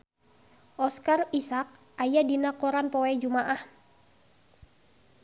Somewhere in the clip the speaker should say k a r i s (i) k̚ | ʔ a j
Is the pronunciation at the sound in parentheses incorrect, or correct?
incorrect